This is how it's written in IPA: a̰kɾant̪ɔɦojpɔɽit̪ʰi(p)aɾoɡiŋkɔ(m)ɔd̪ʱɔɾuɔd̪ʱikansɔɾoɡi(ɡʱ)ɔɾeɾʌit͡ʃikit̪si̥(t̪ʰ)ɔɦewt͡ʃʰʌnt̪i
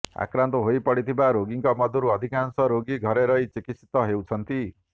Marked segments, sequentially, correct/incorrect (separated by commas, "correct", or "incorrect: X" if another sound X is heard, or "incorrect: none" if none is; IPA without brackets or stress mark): incorrect: b, correct, correct, incorrect: t̪